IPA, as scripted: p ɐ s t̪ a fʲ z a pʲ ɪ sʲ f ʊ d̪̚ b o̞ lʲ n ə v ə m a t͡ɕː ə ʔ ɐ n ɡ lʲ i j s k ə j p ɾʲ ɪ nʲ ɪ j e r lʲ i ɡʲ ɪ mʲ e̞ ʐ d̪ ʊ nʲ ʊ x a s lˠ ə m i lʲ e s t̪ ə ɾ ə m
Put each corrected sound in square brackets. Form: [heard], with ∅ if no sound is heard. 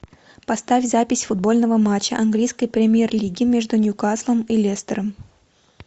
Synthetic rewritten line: p ɐ s t̪ a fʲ z a pʲ ɪ sʲ f ʊ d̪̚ b o̞ lʲ n ə v ə m a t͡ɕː ə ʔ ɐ n ɡ lʲ i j s k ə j p ɾʲ ɪ [mʲ] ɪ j e r lʲ i ɡʲ ɪ mʲ e̞ ʐ d̪ ʊ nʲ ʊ [k] a s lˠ ə m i lʲ e s t̪ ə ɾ ə m